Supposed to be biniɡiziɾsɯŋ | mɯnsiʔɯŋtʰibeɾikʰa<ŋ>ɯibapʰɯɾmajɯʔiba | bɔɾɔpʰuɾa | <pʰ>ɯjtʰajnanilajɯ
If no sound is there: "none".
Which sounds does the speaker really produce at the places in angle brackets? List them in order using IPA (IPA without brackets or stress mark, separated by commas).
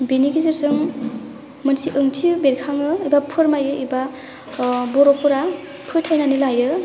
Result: ŋ, pʰ